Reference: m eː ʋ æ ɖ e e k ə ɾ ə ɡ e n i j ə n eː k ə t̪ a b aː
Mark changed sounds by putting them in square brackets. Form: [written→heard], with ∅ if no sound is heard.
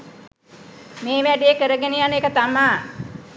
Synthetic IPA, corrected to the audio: m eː ʋ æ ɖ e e k ə ɾ ə ɡ e n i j [ə→a] n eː k ə t̪ a [b→m] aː